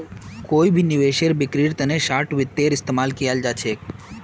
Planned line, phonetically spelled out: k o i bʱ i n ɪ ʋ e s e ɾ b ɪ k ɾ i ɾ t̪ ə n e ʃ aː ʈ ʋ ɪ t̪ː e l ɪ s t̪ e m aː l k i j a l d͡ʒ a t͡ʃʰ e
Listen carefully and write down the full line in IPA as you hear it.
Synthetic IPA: k o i bʱ i n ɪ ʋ e ʃ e ɾ b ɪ k ɾ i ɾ t̪ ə n e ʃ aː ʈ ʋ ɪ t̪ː e ɾ ɪ s t̪ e m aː l k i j a l d͡ʒ a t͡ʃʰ e